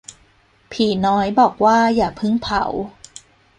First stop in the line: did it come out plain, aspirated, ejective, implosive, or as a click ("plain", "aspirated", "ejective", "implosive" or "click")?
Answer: aspirated